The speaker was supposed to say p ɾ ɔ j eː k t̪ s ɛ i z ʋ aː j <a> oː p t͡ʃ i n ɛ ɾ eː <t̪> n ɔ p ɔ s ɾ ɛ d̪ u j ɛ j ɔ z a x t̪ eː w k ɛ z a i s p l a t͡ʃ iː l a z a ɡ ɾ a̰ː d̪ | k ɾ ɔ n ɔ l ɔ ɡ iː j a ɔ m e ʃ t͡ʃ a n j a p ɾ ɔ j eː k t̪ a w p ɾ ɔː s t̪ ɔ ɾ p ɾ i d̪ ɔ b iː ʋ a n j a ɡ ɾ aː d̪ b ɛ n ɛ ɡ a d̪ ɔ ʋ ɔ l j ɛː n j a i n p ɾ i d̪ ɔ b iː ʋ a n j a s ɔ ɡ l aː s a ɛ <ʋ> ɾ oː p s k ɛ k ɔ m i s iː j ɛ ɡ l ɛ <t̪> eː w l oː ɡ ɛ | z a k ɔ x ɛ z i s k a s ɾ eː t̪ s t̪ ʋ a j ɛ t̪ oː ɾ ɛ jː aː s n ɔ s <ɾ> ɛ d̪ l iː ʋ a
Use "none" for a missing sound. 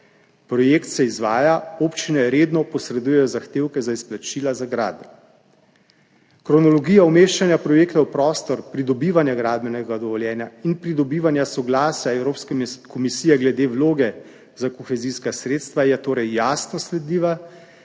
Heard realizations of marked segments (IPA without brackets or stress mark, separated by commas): a, d̪, w, d̪, l